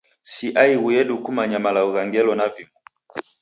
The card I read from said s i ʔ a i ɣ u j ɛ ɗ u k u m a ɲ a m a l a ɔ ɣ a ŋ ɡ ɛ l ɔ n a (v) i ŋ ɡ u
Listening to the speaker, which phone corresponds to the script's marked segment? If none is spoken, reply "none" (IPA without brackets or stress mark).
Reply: v